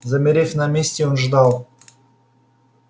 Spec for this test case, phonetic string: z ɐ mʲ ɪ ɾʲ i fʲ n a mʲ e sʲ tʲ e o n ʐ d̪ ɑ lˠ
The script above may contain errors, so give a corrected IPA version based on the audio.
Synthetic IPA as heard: z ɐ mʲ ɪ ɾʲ e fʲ n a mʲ e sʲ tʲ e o n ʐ d̪ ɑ lˠ

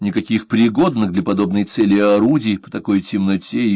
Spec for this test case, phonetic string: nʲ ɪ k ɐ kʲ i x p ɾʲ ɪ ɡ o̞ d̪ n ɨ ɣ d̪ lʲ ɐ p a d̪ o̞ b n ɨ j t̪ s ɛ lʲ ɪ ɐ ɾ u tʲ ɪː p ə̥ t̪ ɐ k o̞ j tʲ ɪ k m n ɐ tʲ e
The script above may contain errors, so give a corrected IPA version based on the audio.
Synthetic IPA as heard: nʲ ɪ k ɐ kʲ i x p ɾʲ ɪ ɡ o̞ d̪ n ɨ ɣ d̪ lʲ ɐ p ɐ d̪ o̞ b n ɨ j t̪ s ɛ lʲ ɪ ɐ ɾ u dʲ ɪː p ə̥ t̪ ɐ k o̞ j tʲ ɪ m n ɐ tʲ e

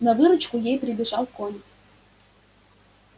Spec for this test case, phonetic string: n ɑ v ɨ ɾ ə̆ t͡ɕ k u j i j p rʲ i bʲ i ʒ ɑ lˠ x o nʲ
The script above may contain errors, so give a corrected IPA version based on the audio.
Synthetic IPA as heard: n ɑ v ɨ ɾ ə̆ t͡ɕ k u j e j p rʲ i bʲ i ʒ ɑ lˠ k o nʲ

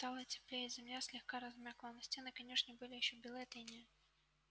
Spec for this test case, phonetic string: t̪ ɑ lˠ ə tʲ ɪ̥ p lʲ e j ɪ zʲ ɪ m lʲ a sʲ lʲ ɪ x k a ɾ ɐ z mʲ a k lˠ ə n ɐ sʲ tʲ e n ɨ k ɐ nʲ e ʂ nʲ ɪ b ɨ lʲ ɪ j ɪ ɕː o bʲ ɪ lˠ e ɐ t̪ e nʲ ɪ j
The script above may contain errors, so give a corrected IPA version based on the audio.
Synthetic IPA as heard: t̪ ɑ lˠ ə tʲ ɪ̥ p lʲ e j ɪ zʲ ɪ m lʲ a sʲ lʲ ɪ x k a ɾ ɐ z mʲ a k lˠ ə n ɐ sʲ tʲ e n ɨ k ɐ nʲ e ʂ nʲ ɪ b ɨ lʲ ɪ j ɪ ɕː o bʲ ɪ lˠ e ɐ t̪ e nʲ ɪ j

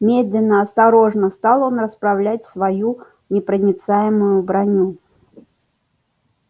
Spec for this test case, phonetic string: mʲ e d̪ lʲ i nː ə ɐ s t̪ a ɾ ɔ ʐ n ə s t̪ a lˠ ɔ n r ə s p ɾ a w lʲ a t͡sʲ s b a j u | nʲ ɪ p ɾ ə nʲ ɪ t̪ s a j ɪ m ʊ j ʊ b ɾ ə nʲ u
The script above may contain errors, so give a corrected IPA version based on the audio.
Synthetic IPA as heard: mʲ e d̪ lʲ ɪ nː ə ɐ s t̪ a ɾ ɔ ʐ n ə s t̪ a lˠ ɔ n r ə s p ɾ a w lʲ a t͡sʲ s v a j u | nʲ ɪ p ɾ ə nʲ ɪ t̪ s a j ɪ m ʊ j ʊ b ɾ a nʲ u

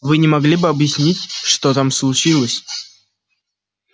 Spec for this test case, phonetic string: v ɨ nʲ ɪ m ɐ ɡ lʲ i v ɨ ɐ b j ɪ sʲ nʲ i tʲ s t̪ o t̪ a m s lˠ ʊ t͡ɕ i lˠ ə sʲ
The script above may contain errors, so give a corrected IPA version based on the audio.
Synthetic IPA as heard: v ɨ nʲ ɪ m ɐ ɡ lʲ i b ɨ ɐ b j ɪ sʲ nʲ i tʲ ʂ t̪ o t̪ a m s lˠ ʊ t͡ɕ i lˠ ə sʲ

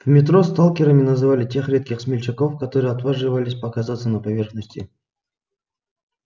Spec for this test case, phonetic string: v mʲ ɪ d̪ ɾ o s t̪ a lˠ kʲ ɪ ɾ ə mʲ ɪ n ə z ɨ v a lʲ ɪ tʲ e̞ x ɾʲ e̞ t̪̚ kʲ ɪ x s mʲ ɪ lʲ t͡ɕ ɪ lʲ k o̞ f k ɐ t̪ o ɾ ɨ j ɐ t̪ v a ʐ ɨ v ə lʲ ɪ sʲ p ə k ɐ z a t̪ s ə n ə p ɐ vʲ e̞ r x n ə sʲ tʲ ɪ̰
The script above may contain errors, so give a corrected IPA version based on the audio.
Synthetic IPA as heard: v mʲ ɪ t̪ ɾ o s t̪ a lˠ kʲ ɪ ɾ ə mʲ ɪ n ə z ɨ v a lʲ ɪ tʲ e̞ x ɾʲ e̞ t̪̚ kʲ ɪ x s mʲ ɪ lʲ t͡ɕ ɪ k o̞ f k ɐ t̪ o ɾ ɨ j ɐ t̪ v a ʐ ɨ v ə lʲ ɪ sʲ p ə k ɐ z a t̪ s ə n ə p ɐ vʲ e̞ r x n ə sʲ tʲ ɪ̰

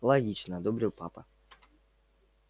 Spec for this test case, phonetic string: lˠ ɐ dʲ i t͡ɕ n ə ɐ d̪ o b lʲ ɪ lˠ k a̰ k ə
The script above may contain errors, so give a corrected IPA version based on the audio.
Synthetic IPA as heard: lˠ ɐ ɡʲ i t͡ɕ n ə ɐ d̪ o b ɾʲ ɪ lˠ p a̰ p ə

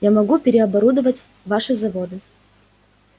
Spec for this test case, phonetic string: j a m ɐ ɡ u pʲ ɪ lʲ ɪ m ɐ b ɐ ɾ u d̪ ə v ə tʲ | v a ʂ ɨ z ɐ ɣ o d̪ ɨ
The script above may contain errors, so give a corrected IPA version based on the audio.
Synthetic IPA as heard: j a m ɐ ɡ u pʲ ɪ ɾʲ ɪ ɐ b ɐ ɾ u d̪ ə v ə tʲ | v a ʂ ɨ z ɐ v o d̪ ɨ

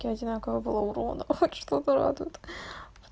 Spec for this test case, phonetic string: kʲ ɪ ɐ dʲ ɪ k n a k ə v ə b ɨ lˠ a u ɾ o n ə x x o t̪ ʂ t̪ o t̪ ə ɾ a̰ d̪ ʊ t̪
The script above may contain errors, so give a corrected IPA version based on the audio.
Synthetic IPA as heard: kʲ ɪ ɐ dʲ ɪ n a k ə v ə b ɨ lˠ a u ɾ o n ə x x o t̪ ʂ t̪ o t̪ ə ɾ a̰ d̪ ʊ t̪

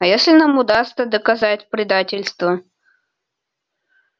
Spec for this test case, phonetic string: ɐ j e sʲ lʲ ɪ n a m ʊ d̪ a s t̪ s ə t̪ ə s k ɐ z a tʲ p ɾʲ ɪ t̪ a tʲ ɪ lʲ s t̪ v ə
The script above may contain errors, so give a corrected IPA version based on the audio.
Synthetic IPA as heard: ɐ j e sʲ lʲ ɪ n a m ʊ d̪ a s t̪ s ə d̪ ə k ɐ z a tʲ p ɾʲ ɪ d̪ a tʲ ɪ lʲ s t̪ v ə

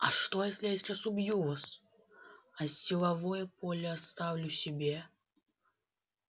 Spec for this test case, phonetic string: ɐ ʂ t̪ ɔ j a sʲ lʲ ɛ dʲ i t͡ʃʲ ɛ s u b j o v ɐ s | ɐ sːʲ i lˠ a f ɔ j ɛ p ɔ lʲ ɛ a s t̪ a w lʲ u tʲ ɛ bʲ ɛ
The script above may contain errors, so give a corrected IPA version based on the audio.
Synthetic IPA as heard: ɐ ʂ t̪ ɔ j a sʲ lʲ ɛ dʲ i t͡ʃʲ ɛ s u b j u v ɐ s | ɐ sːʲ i lˠ a v ɔ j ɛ p ɔ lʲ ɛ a s t̪ a w lʲ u sʲ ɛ bʲ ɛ

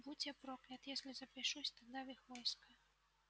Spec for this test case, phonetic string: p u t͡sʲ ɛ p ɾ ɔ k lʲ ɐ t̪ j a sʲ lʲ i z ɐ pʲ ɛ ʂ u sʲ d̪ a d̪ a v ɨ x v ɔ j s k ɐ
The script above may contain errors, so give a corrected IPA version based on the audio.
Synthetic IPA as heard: b u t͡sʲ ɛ p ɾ ɔ k lʲ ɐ t̪ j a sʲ lʲ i z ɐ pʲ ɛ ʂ u sʲ t̪ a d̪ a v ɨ x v ɔ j s k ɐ

